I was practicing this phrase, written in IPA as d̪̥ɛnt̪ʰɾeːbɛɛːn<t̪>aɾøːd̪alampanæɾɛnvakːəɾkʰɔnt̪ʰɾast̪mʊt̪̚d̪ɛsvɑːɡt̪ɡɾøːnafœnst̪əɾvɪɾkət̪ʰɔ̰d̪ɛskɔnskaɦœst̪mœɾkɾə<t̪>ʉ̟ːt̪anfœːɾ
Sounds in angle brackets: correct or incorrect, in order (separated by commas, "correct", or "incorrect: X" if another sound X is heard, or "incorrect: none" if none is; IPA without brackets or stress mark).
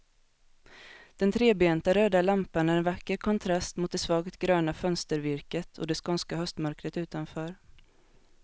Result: correct, correct